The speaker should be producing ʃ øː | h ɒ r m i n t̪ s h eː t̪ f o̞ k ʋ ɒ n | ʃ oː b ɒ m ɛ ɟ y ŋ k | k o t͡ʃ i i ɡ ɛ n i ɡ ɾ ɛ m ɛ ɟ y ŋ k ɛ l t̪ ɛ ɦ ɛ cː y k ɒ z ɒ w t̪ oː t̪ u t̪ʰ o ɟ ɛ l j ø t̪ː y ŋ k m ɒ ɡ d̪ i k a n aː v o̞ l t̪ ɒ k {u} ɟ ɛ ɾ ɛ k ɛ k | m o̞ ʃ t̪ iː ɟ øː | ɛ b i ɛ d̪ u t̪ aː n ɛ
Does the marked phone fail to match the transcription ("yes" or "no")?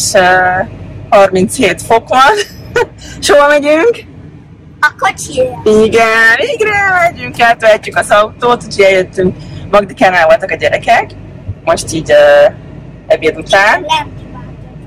yes